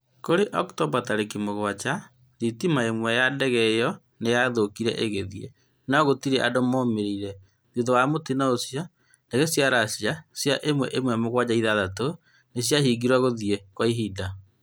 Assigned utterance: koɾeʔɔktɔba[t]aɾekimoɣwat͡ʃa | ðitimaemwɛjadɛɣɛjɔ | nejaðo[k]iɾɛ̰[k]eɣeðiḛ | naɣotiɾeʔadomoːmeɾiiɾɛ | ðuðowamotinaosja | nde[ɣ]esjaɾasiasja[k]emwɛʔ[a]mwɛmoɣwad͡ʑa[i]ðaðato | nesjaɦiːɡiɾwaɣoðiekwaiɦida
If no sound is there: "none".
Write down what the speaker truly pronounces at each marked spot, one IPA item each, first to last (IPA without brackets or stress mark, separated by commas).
t, k, ʔ, ɣ, ʔ, e, i